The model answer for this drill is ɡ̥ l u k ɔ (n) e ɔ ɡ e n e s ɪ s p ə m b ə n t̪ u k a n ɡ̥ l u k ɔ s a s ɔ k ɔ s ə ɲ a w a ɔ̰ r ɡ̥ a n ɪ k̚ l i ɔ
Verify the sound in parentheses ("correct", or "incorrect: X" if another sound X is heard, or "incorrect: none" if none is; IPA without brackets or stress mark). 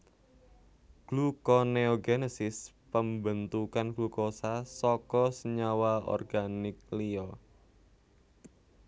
correct